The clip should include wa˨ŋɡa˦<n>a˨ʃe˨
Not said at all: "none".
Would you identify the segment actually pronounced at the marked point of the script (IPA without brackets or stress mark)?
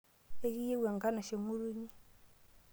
n